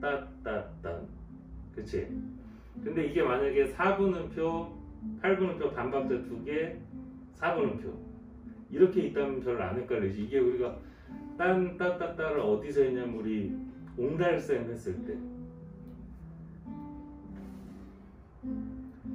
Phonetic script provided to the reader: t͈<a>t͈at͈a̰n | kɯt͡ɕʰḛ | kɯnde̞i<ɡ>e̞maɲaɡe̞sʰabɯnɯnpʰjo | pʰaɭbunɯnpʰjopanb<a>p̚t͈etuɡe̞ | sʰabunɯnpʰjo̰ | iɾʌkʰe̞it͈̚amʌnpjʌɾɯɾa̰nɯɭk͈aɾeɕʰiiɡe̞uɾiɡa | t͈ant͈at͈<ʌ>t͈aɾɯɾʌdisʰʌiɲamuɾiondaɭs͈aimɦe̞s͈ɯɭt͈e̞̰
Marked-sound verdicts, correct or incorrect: correct, correct, correct, incorrect

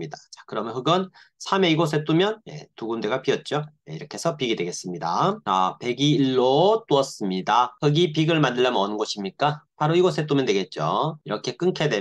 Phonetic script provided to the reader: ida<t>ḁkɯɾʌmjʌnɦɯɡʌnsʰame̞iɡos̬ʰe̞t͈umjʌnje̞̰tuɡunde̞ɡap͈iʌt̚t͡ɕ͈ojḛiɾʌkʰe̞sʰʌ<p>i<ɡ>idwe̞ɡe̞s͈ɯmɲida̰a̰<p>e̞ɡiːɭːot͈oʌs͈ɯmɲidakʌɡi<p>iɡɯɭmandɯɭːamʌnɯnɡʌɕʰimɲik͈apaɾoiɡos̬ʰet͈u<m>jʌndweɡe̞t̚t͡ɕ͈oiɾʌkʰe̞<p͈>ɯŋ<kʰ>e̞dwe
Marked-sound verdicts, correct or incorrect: incorrect, correct, correct, correct, correct, correct, incorrect, correct

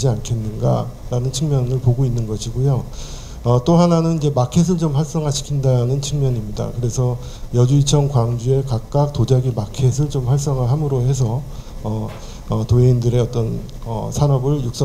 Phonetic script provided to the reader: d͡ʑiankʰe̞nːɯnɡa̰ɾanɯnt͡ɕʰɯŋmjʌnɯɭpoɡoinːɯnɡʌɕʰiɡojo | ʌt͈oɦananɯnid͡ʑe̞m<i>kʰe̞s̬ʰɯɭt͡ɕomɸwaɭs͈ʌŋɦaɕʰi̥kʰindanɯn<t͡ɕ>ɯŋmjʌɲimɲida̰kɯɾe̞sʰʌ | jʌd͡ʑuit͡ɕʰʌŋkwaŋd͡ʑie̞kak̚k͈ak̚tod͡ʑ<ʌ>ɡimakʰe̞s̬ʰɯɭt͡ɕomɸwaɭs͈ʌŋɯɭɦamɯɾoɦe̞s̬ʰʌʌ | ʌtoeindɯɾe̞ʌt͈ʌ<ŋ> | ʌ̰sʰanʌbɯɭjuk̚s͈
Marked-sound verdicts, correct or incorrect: incorrect, incorrect, incorrect, incorrect

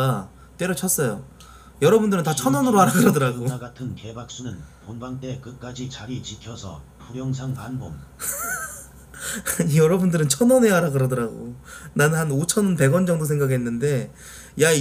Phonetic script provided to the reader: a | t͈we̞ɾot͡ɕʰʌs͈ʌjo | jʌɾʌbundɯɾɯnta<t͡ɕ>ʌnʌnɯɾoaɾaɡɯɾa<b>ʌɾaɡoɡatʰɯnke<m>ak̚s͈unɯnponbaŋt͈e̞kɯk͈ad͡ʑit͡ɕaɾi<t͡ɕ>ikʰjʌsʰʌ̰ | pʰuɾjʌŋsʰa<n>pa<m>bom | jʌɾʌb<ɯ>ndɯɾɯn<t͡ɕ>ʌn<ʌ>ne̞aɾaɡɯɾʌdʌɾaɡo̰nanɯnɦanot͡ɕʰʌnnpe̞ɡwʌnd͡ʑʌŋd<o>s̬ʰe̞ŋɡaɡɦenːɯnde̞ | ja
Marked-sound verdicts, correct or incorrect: incorrect, incorrect, incorrect, correct, incorrect, incorrect, incorrect, incorrect, correct, correct

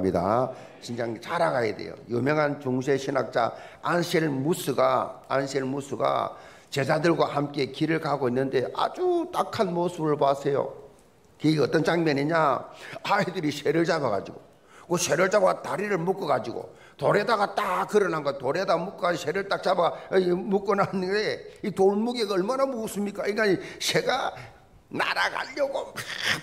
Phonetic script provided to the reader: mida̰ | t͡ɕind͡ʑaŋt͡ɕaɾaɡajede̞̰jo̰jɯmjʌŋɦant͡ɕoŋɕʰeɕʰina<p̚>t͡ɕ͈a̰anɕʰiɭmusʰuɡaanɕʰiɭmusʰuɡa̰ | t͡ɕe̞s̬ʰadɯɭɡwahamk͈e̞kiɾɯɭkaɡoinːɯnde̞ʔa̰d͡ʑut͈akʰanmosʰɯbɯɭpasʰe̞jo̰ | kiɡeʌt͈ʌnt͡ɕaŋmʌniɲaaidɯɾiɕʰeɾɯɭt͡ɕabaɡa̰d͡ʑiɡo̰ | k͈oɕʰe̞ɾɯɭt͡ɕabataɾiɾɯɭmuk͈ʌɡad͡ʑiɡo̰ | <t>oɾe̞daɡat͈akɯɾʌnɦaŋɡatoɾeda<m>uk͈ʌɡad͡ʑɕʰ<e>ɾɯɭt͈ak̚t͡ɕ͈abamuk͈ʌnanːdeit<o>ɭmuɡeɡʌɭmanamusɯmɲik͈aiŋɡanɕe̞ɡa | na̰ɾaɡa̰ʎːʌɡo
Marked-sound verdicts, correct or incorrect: incorrect, correct, correct, correct, correct

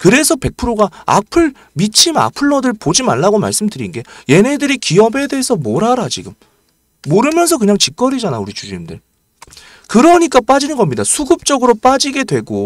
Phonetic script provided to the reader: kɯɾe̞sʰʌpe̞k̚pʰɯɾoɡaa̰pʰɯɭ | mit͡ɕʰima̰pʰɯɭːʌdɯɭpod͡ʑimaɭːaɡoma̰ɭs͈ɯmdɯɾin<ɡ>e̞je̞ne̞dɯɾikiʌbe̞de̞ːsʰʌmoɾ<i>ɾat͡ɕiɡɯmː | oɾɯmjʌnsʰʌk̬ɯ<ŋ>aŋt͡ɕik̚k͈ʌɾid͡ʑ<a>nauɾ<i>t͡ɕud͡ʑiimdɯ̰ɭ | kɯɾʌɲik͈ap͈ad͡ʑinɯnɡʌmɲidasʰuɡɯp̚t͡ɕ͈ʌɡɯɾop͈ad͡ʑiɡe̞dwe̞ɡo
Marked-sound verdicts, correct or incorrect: correct, incorrect, incorrect, correct, correct

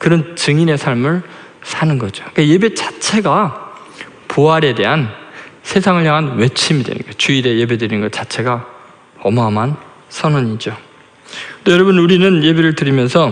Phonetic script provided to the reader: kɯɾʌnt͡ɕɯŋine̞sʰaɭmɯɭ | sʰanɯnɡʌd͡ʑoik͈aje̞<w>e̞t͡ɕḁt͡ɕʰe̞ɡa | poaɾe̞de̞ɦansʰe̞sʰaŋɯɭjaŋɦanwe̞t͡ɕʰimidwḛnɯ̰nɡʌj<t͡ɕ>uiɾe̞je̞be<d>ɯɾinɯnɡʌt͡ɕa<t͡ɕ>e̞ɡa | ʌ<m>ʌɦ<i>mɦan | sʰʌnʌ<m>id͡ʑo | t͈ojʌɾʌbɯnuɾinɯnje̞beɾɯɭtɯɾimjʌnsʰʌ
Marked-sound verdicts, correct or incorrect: incorrect, correct, correct, incorrect, correct, incorrect, incorrect

